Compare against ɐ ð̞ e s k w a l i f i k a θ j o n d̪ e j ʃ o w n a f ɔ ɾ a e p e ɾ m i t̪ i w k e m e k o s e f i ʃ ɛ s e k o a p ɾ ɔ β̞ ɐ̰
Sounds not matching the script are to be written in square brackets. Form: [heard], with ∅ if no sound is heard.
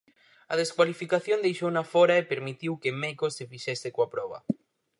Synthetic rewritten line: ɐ ð̞ e s k w a l i f i k a θ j o n d̪ e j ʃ o w n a f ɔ ɾ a e p e ɾ m i t̪ i w k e m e k o s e f i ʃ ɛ s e k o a p ɾ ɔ β̞ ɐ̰